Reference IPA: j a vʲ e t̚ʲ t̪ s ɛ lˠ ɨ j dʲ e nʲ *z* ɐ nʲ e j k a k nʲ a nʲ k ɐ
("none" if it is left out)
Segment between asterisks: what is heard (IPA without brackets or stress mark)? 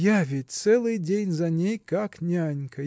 z